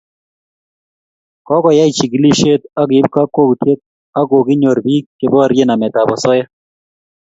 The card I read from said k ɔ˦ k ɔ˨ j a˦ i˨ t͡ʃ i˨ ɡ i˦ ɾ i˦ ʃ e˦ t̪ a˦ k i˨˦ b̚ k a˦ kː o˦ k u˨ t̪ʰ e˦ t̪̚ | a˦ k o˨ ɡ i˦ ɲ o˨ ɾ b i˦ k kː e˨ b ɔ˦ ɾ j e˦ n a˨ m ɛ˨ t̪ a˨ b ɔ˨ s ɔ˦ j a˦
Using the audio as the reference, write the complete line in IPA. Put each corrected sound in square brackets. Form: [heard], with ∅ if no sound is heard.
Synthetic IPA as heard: k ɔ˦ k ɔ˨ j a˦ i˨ t͡ʃ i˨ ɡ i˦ [l] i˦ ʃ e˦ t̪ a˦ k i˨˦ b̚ k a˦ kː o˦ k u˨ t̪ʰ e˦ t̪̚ | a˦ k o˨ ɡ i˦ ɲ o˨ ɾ b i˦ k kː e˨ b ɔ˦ ɾ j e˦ n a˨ m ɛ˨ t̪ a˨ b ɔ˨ s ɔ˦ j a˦

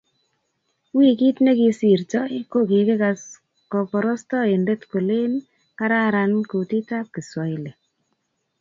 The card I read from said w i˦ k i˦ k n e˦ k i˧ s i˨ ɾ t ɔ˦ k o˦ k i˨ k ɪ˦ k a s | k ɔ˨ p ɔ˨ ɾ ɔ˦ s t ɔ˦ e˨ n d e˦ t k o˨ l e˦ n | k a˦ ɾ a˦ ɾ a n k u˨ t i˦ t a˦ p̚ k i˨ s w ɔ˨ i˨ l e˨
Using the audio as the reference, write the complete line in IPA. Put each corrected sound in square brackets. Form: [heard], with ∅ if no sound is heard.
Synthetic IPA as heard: w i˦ k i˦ [t] n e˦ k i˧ s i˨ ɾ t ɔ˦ k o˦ k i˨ k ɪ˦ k a s | k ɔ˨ p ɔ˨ ɾ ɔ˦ s t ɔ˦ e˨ n d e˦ t k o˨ l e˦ n | k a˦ ɾ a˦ ɾ a n k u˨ t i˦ t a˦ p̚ k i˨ s w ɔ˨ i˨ l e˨

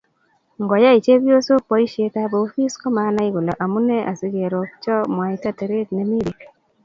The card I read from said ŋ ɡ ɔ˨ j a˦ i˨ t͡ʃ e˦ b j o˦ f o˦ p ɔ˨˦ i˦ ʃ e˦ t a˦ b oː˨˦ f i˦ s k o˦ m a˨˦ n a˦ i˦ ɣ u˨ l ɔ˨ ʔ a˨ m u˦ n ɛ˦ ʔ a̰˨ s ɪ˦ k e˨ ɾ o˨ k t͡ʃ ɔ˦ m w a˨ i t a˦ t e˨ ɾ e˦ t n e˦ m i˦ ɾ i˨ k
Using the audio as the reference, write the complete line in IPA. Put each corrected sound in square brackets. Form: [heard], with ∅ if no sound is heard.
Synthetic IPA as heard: ŋ ɡ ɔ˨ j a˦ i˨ t͡ʃ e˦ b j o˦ [s] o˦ p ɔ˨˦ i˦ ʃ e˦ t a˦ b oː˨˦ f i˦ s k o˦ m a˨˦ n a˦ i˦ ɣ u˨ l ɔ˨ ʔ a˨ m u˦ n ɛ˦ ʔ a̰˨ s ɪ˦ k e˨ ɾ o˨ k t͡ʃ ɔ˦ m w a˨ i t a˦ t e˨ ɾ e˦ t n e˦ m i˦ ɾ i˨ k

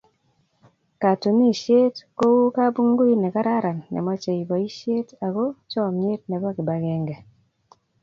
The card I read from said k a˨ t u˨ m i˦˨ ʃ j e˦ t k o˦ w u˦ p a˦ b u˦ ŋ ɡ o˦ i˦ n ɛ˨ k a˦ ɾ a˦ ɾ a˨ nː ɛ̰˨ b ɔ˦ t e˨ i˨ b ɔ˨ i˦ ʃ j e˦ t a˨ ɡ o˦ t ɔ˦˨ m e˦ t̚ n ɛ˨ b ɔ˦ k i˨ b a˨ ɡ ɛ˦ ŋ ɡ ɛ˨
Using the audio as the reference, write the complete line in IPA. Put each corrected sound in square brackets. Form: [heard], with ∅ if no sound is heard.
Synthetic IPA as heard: k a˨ t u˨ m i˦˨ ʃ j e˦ t k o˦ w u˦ [k] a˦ b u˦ ŋ ɡ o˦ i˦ n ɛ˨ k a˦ ɾ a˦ ɾ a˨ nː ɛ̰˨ [m] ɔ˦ [t͡ʃ] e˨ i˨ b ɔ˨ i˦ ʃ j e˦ t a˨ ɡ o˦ [t͡ʃ] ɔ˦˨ m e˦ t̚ n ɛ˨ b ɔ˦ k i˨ b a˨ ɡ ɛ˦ ŋ ɡ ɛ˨

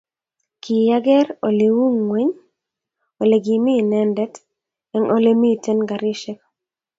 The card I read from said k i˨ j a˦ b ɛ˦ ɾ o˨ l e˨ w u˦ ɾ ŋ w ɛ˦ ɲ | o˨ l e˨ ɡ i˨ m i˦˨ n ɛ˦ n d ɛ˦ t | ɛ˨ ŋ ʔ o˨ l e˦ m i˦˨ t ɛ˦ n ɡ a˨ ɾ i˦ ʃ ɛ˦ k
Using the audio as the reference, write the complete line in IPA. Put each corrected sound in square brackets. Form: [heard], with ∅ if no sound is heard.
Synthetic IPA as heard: k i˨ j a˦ [ɡ] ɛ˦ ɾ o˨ l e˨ w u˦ [∅] ŋ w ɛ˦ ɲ | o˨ l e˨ ɡ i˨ m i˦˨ n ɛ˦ n d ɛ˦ t | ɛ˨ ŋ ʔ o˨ l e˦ m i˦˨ t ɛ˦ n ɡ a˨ ɾ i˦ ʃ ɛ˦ k

